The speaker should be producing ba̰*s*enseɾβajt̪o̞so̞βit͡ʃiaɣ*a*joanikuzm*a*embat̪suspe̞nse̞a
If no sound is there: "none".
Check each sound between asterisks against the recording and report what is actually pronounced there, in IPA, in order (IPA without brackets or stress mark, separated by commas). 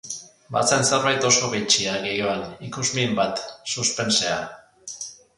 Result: t͡s, e, i